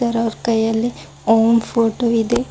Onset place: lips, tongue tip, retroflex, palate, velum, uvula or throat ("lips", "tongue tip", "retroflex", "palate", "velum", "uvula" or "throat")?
tongue tip